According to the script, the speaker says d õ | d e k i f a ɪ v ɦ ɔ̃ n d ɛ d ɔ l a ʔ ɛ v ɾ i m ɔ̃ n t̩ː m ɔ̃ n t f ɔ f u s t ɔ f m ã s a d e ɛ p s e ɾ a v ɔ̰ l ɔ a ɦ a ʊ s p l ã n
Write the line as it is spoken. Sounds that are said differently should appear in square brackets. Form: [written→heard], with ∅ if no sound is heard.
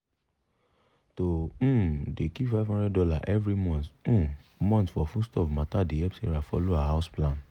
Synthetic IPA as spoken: [d→t] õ | d e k i f a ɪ v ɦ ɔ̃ n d ɛ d ɔ l a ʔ ɛ v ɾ i m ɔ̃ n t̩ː m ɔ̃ n t f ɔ f u s t ɔ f m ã [s→t] a d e ɛ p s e ɾ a [v→f] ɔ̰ l [ɔ→o] a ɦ a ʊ s p l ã n